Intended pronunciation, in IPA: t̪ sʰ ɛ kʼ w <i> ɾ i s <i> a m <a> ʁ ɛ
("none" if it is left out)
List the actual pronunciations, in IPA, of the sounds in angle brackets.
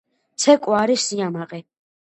a, i, a

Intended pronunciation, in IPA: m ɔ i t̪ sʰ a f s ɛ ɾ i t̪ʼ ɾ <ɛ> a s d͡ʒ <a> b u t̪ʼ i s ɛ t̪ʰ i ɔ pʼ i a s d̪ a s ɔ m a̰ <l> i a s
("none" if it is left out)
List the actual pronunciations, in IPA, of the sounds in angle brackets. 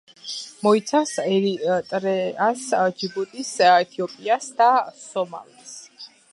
ɛ, i, l

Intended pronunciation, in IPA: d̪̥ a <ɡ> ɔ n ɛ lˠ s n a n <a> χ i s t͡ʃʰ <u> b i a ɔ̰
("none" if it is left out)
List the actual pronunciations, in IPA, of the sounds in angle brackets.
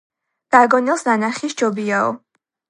ɡ, a, ɔ

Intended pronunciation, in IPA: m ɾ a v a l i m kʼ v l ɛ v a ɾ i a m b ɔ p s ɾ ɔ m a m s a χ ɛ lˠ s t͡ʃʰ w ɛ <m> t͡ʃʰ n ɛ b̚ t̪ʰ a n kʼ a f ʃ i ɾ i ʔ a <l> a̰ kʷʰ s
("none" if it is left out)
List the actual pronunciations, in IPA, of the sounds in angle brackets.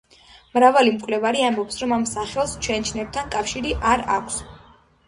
n, ɾ

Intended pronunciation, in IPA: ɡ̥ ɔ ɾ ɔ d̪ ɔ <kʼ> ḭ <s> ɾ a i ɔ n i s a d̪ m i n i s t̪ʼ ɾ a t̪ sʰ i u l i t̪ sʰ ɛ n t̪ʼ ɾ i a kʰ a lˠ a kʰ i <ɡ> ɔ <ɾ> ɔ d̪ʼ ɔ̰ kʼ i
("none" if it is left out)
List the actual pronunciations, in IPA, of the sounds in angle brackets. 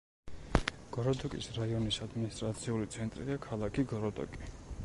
kʼ, s, ɡ, ɾ

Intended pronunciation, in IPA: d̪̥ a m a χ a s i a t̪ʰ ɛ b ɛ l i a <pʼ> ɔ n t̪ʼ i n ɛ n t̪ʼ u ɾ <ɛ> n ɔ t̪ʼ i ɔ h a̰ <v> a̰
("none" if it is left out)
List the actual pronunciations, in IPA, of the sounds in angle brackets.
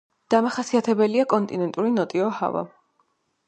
kʼ, i, v

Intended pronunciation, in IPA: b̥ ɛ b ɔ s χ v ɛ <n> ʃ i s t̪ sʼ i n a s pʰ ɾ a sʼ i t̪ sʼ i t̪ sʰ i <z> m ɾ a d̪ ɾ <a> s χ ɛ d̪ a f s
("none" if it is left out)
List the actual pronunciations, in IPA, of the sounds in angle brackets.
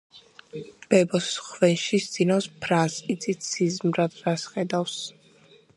n, z, a

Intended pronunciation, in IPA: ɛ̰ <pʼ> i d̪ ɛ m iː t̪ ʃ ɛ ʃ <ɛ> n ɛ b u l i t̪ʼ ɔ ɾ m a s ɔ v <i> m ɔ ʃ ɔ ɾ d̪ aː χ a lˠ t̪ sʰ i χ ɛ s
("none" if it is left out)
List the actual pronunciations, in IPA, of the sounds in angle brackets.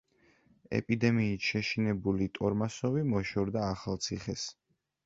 pʼ, i, i

